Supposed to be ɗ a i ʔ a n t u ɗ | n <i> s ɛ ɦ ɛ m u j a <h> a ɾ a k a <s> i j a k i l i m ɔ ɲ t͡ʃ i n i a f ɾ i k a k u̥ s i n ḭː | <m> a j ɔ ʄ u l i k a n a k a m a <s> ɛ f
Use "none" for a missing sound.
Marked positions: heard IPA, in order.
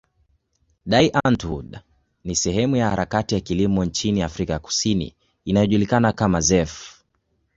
i, h, t, n, z

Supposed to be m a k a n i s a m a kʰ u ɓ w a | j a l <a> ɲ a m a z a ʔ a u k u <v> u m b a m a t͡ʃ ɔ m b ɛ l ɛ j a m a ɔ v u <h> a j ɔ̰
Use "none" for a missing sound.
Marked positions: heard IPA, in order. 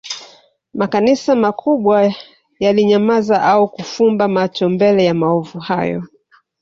i, f, h

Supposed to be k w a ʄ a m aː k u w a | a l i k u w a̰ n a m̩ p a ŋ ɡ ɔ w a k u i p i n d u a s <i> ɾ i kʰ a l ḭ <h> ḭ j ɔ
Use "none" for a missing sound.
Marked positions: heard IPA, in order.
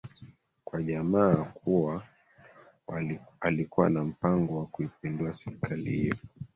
ɛ, h

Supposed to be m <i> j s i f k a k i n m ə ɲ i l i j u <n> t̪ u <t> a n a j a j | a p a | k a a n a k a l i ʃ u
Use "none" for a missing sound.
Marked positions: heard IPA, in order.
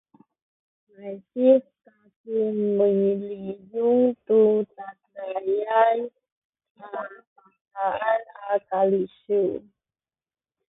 a, ŋ, t

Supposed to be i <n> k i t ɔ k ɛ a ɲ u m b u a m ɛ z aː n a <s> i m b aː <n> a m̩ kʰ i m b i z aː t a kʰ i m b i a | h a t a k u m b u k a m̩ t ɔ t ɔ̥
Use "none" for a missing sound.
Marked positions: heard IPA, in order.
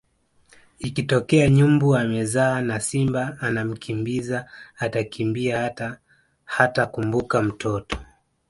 none, s, n

